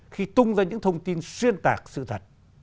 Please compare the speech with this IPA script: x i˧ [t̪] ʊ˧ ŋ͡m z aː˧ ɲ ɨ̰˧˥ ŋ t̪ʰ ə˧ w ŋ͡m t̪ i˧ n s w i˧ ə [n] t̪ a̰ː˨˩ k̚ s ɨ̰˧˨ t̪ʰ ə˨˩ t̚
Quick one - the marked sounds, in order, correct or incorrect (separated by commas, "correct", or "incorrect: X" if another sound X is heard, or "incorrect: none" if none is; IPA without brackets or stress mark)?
correct, correct